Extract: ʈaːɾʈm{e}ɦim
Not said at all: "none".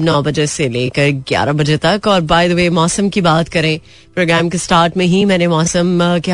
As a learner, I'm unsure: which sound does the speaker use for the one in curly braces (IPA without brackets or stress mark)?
ẽ